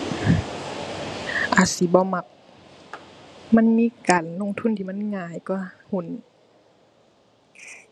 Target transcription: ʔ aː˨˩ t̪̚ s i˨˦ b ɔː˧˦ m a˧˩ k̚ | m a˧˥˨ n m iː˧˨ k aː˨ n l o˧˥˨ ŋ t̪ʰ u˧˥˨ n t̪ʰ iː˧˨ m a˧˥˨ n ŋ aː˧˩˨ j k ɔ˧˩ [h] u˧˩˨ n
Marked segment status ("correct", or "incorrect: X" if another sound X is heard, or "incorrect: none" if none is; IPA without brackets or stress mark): correct